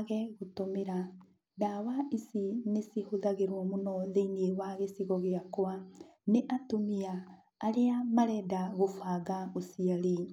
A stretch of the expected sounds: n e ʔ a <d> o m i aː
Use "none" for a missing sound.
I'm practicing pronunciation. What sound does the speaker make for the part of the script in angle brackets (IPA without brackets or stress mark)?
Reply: t